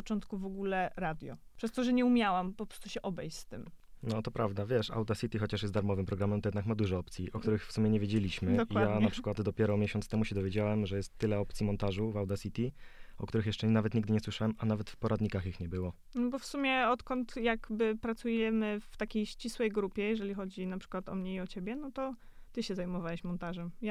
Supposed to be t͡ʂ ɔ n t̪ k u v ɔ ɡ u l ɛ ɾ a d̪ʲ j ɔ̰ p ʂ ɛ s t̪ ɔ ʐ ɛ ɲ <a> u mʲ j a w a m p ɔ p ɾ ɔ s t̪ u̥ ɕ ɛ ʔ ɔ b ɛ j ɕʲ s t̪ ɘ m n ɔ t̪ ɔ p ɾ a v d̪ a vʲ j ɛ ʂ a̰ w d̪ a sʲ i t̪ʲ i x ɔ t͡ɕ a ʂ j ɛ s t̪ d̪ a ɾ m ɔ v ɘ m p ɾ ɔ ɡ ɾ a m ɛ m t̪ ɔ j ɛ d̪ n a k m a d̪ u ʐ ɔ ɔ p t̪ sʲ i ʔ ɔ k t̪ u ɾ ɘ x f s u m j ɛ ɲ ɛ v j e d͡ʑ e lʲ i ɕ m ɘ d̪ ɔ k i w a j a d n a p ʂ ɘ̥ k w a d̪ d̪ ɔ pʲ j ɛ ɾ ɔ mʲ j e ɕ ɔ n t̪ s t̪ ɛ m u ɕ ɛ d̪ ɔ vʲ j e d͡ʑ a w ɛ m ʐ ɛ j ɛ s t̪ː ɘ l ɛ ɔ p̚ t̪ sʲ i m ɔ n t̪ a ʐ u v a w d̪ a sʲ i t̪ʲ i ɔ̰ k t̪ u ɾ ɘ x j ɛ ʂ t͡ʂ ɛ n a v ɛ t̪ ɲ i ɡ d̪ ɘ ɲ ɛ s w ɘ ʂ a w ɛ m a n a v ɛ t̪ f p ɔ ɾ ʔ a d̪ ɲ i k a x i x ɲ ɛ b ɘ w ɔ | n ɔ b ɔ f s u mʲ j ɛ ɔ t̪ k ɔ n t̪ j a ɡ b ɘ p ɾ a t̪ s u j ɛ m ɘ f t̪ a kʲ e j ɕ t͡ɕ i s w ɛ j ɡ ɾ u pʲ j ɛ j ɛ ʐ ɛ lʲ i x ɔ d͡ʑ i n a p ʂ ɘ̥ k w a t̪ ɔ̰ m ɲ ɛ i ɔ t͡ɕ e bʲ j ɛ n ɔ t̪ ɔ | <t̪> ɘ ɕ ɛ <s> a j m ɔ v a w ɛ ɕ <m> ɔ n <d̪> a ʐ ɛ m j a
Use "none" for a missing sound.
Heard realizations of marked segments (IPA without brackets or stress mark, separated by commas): ɛ, t̪, z, m, t̪